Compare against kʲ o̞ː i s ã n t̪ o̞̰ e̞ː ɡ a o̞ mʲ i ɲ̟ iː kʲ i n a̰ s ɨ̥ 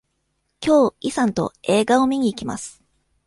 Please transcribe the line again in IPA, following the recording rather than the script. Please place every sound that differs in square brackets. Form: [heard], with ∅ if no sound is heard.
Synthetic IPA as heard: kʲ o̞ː i s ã n t̪ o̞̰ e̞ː ɡ a o̞ mʲ i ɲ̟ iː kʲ i [m] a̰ s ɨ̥